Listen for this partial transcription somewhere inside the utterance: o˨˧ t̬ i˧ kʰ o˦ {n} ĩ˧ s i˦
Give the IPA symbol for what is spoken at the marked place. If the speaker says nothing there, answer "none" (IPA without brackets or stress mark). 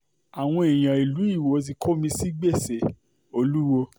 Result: m